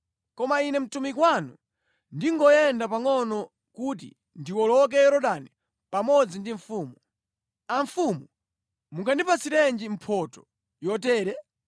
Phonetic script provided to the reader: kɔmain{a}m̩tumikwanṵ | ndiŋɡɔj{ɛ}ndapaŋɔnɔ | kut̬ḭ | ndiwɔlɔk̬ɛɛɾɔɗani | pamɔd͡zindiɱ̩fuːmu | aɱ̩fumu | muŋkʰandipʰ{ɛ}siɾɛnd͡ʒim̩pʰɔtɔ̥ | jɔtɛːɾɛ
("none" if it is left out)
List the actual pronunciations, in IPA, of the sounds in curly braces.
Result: ɛ, ɛ, a

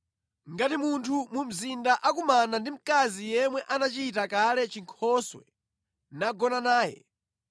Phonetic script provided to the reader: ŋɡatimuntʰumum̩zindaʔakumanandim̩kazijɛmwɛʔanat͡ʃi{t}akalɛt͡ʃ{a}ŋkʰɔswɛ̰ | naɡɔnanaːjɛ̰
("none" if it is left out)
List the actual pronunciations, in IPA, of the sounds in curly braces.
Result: t, i

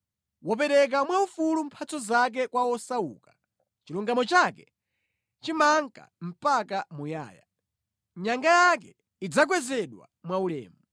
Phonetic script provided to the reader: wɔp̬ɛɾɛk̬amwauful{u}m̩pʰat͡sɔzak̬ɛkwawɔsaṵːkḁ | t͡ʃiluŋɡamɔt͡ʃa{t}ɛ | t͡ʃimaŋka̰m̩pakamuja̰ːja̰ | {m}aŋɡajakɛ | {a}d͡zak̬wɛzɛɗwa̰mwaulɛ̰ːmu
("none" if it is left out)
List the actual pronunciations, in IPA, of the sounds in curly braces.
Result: u, k, ɲ, i

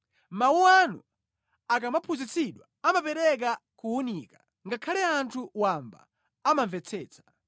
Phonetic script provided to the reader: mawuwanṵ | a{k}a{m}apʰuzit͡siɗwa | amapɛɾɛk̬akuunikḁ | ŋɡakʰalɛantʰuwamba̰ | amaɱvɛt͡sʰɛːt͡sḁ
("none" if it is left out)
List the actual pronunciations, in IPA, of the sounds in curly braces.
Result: k, m

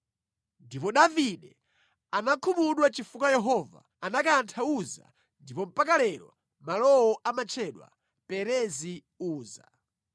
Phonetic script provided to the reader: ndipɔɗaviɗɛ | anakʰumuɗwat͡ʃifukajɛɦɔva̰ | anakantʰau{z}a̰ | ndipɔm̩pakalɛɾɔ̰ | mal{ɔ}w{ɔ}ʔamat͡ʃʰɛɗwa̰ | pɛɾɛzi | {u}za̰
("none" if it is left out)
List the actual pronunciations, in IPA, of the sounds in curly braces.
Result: z, ɔ, ɔ, uː

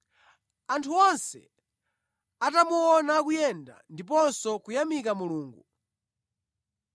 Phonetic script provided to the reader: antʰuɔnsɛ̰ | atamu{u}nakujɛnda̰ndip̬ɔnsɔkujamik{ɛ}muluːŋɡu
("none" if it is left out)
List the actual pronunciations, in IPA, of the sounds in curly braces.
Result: ɔ, a

